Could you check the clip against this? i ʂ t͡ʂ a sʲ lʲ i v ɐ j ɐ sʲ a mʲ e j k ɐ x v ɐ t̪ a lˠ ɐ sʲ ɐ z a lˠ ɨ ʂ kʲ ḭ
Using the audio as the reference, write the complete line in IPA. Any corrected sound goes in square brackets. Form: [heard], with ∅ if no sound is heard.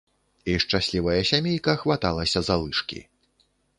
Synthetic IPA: i ʂ t͡ʂ a sʲ lʲ i v ɐ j ɐ sʲ a mʲ e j k ɐ x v [a] t̪ a lˠ ɐ sʲ ɐ z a lˠ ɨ ʂ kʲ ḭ